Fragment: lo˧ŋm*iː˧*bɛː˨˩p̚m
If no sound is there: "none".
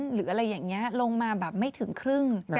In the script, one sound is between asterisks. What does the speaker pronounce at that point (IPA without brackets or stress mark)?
aː˧